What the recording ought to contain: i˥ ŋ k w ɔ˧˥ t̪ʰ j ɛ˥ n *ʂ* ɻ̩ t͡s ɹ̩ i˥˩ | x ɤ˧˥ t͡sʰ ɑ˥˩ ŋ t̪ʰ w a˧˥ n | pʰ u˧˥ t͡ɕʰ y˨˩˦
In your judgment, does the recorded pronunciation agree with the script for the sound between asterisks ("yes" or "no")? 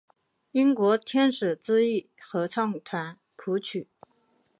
yes